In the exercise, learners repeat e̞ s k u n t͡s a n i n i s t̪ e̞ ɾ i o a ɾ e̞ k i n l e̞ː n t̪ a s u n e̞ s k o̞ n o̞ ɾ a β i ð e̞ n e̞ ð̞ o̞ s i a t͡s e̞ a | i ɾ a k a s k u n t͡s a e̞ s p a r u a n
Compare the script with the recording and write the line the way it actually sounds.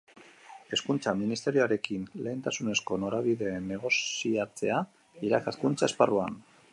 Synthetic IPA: e̞ s k u n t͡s a m i n i s t̪ e̞ ɾ i o a ɾ e̞ k i n l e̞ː n t̪ a s u n e̞ s k o̞ n o̞ ɾ a β i ð e̞ n e̞ ɣ̞ o̞ s i a t͡s e̞ a | i ɾ a k a s k u n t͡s a e̞ s p a r u a n